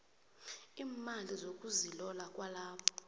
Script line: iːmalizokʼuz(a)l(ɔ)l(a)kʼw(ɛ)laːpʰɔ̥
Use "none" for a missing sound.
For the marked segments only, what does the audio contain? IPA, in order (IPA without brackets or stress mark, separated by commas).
i, ɔ, a, a